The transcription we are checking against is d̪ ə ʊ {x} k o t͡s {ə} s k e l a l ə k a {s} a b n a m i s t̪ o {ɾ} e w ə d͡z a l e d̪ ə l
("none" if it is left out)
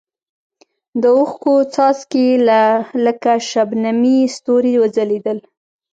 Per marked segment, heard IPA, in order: x, ɑ, ʃ, ɾ

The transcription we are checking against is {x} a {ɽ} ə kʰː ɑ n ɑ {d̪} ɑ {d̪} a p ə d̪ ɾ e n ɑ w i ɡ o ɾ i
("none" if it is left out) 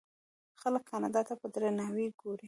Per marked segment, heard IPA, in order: x, l, d̪, t̪

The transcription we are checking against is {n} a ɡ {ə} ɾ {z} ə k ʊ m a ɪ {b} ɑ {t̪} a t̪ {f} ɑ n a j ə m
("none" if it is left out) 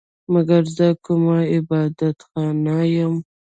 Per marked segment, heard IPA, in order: m, a, z, b, d̪, x

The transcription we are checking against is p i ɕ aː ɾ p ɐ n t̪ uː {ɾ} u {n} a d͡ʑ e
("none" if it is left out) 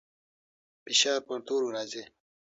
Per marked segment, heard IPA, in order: ɾ, n

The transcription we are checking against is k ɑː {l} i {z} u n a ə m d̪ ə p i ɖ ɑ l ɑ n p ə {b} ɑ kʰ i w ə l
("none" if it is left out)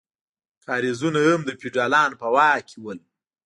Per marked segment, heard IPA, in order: ɾ, z, w

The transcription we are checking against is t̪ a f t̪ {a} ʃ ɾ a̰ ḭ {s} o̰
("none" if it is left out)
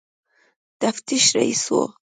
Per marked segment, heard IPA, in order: i, s

